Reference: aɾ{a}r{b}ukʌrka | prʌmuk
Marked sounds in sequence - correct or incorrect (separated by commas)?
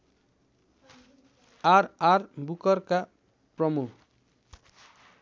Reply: correct, correct